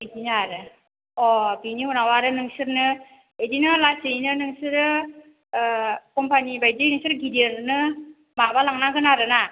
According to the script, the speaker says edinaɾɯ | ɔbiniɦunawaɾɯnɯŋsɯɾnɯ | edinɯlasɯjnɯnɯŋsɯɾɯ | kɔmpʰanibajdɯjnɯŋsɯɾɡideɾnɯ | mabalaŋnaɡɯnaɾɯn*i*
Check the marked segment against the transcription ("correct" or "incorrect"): incorrect